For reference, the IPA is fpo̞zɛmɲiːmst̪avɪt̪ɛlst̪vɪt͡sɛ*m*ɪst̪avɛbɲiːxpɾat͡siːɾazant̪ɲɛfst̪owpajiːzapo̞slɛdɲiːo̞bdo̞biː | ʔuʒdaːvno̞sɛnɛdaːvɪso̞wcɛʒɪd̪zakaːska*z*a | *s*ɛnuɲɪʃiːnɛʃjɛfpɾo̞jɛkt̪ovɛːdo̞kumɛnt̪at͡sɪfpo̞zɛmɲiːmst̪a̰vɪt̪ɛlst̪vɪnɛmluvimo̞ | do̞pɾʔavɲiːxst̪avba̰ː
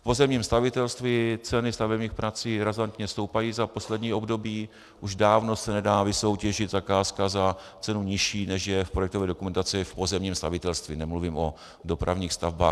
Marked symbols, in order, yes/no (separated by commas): no, yes, no